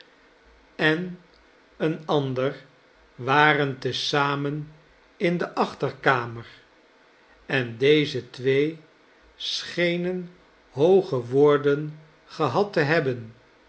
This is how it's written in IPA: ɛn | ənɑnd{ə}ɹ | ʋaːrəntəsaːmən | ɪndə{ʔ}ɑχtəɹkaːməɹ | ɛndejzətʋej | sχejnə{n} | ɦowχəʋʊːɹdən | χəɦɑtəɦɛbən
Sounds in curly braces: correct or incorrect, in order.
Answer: correct, correct, correct

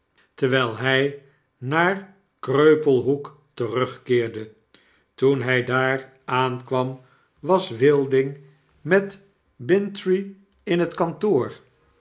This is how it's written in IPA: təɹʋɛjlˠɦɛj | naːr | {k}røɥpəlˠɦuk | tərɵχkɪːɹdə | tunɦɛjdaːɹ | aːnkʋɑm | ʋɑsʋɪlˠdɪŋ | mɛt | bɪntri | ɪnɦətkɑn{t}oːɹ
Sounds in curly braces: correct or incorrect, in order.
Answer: correct, correct

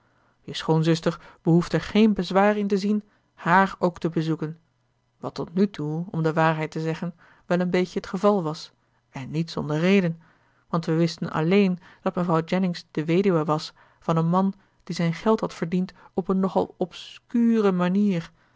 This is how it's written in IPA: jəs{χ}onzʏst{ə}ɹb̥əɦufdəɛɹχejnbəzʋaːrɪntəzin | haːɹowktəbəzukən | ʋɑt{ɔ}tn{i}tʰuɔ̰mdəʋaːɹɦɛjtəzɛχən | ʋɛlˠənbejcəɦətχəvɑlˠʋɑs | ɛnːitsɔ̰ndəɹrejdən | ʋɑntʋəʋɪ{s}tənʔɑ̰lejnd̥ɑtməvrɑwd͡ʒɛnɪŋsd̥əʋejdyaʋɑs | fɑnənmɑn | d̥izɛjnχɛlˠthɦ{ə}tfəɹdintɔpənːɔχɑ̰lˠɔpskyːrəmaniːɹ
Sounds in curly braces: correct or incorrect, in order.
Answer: correct, correct, correct, incorrect: y, correct, incorrect: ɑ

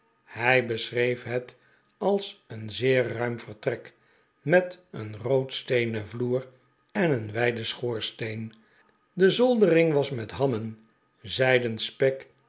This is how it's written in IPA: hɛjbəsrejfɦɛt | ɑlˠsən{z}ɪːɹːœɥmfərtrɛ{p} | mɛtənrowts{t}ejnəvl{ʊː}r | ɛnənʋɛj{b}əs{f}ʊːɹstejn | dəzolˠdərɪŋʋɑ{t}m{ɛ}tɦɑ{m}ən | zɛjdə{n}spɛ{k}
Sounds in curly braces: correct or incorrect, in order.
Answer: correct, incorrect: k, correct, incorrect: uː, incorrect: d, incorrect: χ, incorrect: s, correct, correct, correct, correct

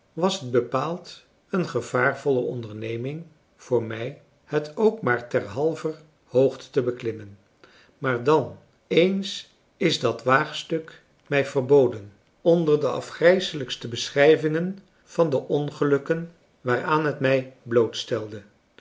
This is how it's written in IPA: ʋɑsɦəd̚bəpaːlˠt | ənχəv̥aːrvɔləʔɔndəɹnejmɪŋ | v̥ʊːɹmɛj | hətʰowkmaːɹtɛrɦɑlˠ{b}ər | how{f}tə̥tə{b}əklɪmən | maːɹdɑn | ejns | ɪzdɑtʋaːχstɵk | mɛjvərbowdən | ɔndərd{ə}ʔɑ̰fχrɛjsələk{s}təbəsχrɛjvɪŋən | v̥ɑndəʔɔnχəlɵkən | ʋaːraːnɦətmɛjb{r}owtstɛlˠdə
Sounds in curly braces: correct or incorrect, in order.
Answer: incorrect: v, incorrect: χ, correct, correct, correct, incorrect: l

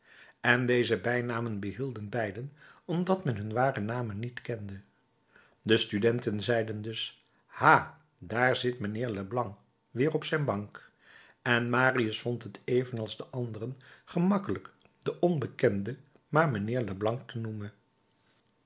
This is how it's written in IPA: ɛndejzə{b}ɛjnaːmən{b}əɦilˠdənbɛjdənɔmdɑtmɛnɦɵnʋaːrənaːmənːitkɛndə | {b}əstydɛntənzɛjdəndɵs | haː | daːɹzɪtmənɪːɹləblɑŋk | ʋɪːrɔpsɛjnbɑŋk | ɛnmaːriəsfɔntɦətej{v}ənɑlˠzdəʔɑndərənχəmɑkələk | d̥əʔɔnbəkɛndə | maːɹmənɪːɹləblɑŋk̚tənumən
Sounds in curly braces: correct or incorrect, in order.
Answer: correct, correct, incorrect: d, correct

